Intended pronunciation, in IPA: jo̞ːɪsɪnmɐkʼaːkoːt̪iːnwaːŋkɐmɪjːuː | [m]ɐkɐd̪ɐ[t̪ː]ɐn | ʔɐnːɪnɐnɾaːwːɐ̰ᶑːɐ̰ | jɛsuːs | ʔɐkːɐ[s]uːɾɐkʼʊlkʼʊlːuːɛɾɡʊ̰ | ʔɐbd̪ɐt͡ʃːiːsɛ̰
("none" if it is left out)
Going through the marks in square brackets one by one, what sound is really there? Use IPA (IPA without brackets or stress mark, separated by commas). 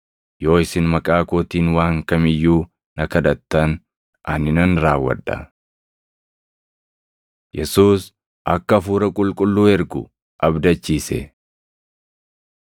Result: n, t̪ː, f